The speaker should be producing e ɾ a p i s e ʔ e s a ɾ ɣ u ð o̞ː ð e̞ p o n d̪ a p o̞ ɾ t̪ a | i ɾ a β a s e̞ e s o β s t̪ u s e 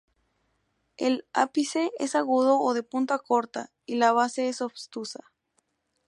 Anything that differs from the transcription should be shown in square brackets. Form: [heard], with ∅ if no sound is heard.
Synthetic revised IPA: e [l] a p i s e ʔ e s a [∅] ɣ u ð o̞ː ð e̞ p [u] n [t̪] a [k] o̞ ɾ t̪ a | i [l] a β a s e̞ e s o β s t̪ u s [a]